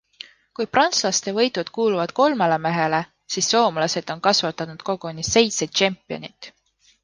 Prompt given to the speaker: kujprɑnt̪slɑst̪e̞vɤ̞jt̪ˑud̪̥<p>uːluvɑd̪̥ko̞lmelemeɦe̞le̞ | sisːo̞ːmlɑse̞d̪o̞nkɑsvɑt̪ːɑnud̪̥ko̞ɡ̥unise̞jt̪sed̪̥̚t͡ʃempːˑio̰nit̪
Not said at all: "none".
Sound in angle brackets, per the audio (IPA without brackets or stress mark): k